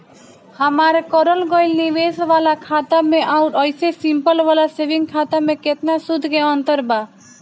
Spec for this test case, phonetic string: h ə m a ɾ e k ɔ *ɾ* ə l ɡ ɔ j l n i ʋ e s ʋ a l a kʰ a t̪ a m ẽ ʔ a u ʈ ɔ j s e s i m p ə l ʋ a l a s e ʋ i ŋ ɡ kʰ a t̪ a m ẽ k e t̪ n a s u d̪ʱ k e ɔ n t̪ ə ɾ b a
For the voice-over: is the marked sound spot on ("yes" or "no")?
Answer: yes